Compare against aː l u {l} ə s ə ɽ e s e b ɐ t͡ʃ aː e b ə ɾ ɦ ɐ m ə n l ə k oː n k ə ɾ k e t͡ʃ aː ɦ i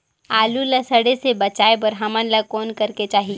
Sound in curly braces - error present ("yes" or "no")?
no